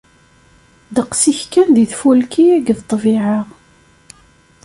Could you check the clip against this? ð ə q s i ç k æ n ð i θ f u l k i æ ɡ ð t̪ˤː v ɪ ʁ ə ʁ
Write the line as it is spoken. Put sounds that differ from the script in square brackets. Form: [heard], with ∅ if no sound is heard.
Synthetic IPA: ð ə q s i ç k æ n ð i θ f u l k i æ ɡ ð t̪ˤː v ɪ [ʕ] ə ʁ

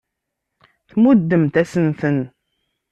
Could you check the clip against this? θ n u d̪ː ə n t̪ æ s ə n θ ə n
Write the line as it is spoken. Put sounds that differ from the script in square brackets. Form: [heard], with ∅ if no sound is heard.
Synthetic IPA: θ [m] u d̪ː ə [m] t̪ æ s ə n θ ə n

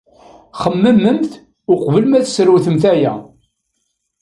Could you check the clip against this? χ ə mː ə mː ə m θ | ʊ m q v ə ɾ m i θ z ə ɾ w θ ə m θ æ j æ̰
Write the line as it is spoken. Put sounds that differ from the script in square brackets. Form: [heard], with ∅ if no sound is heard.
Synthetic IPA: χ ə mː ə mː ə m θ | ʊ [∅] q v ə [l] m [æ] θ [s] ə ɾ w θ ə m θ æ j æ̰

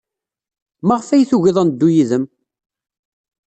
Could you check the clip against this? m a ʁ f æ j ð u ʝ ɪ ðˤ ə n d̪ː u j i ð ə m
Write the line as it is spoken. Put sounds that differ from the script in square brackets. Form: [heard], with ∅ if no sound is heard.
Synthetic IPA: m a ʁ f æ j [θ] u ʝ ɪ ðˤ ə n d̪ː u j i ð ə m

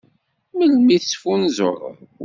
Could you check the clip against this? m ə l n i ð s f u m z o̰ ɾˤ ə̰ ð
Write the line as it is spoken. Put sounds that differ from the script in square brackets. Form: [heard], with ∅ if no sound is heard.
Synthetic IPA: m ə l [m] i [θ] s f u [n] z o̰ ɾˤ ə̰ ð

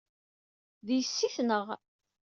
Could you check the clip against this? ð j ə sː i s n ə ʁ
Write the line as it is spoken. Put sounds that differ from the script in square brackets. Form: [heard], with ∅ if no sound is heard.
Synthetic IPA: ð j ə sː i [θ] n ə ʁ

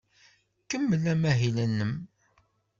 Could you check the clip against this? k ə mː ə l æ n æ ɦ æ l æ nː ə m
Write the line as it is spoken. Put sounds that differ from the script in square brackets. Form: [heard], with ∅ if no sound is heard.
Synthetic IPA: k ə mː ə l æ [m] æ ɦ [i] l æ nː ə m

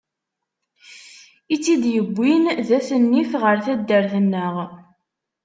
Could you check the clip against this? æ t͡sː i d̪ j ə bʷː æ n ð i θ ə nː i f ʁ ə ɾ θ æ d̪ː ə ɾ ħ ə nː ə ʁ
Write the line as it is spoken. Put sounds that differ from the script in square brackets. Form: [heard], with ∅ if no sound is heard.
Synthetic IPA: [i] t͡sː i d̪ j ə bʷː [i] n ð [æ] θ ə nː i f ʁ ə ɾ θ æ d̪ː ə ɾ [θ] ə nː ə ʁ

